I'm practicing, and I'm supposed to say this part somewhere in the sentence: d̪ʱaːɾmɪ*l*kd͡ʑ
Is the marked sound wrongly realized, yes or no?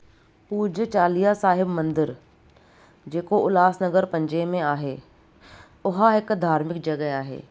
yes